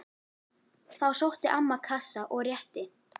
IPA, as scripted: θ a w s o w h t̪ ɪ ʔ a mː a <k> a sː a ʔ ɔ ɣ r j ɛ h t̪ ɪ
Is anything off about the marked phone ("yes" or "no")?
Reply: yes